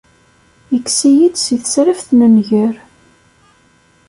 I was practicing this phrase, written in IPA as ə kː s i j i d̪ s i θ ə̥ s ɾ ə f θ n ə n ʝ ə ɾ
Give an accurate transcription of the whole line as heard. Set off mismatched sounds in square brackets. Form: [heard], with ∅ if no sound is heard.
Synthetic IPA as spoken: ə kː s i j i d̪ s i θ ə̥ s ɾ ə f θ n ə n ʝ ə ɾ

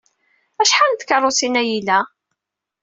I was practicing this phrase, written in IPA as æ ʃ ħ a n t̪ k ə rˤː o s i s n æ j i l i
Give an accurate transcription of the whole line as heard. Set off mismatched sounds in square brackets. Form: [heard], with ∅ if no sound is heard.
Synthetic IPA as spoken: æ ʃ ħ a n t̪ k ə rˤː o s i [∅] n æ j i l [æ]

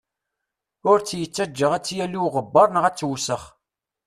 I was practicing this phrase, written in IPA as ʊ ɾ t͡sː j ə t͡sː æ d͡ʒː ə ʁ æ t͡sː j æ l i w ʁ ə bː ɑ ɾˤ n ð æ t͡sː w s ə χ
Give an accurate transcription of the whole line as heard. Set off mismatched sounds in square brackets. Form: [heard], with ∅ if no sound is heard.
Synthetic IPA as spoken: ʊ ɾ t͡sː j ə t͡sː æ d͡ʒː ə ʁ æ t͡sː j æ l i w ʁ ə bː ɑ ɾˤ n [ʁ] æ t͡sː w s ə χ

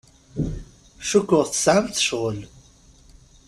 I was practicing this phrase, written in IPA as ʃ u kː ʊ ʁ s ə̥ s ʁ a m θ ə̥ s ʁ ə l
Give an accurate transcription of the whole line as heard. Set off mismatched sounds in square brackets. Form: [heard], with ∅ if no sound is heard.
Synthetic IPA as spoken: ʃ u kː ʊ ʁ [θ] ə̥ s [ʕ] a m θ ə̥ [ʃ] ʁ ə l

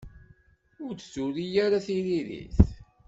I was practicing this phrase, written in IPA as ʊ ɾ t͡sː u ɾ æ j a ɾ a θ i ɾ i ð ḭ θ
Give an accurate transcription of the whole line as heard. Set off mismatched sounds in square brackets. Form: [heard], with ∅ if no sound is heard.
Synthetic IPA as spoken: ʊ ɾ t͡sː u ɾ [i] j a ɾ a θ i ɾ i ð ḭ θ

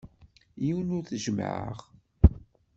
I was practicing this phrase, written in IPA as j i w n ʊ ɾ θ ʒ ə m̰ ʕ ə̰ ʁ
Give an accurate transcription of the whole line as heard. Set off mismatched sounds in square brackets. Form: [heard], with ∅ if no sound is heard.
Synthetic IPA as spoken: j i w n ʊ ɾ θ ʒ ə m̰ ʕ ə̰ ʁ

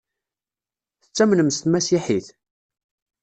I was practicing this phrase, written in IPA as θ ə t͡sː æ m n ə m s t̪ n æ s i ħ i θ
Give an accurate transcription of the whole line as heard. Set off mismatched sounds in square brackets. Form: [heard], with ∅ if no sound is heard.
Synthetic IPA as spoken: θ ə t͡sː æ m n ə m s t̪ [m] æ s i ħ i θ

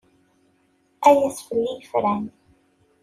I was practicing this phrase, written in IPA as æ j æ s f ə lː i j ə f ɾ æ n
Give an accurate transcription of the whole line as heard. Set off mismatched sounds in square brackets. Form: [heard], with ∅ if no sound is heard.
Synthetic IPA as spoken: æ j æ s f ə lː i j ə f ɾ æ n

